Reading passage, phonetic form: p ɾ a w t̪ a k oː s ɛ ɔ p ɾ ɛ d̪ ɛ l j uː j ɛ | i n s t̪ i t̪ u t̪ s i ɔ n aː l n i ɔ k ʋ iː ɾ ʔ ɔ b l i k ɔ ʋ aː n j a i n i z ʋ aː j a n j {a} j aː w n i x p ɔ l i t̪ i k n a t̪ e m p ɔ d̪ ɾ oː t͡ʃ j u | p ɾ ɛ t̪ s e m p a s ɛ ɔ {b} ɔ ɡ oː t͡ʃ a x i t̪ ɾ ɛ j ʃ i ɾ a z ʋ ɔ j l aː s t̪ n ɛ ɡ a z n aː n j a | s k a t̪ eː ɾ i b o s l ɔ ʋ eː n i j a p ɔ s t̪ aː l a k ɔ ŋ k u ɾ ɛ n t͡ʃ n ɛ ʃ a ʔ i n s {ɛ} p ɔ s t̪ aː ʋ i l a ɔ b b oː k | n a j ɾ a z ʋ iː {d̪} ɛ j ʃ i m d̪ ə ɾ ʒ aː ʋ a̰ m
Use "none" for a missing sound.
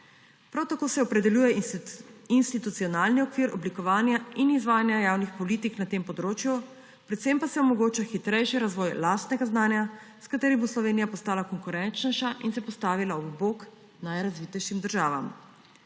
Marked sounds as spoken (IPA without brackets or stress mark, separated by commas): a, m, ɛ, t̪